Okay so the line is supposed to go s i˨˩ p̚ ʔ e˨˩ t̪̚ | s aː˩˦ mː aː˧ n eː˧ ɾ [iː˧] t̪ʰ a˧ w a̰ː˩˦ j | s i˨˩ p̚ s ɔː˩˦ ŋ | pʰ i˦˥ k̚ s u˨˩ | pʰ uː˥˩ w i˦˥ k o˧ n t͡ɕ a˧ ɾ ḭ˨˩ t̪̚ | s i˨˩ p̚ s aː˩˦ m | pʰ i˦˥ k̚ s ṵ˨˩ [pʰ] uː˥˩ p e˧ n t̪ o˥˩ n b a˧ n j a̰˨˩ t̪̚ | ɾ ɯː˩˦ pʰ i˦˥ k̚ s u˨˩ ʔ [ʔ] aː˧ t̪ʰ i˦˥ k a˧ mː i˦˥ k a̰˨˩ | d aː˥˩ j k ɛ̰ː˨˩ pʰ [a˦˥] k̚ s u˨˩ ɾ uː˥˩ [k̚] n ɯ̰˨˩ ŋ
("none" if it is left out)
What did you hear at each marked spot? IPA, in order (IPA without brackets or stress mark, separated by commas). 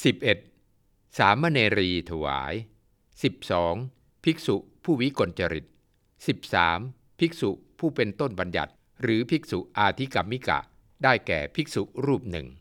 iː˧, pʰ, ʔ, i˦˥, p̚